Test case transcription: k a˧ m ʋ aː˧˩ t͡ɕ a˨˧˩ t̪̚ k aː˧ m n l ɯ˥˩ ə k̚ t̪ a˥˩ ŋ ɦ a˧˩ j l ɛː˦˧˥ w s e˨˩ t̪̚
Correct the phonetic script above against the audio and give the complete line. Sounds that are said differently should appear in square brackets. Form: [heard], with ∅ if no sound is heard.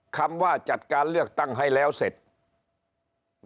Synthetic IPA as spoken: [kʰ] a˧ m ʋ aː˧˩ t͡ɕ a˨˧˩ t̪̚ k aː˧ [∅] n l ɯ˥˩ ə k̚ t̪ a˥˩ ŋ ɦ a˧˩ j l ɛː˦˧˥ w s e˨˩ t̪̚